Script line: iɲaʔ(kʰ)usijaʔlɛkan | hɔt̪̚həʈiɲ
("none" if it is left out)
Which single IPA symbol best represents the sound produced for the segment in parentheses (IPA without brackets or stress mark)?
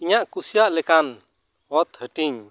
k